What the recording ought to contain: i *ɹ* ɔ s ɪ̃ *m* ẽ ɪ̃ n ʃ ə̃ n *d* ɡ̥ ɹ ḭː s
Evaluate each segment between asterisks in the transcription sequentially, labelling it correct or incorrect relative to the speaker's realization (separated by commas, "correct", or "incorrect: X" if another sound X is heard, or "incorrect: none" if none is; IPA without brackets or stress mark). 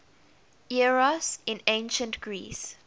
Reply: correct, incorrect: n, incorrect: t